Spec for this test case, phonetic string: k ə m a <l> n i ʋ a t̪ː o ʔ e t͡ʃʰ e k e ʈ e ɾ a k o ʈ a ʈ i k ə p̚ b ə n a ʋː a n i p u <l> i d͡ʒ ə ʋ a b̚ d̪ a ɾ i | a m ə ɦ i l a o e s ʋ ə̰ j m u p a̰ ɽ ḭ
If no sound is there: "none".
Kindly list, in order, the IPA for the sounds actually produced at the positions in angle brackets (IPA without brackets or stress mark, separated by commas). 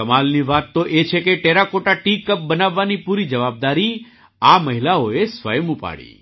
l, ɾ